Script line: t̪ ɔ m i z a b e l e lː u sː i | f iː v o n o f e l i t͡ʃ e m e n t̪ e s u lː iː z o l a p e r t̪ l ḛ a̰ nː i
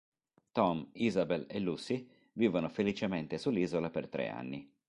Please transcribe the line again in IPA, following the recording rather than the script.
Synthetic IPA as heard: t̪ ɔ m i z a b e l e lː u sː i | v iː v o n o f e l i t͡ʃ e m e n t̪ e s u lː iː z o l a p e r t̪ ɾ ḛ a̰ nː i